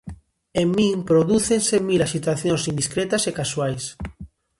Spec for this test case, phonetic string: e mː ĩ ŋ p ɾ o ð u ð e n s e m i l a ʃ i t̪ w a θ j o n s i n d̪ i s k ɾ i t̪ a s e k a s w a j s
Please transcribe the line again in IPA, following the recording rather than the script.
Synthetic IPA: e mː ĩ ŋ p ɾ o ð u θ e n s e m i l a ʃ i t̪ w a θ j o n s i n d̪ i s k ɾ e t̪ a s e k a s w a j s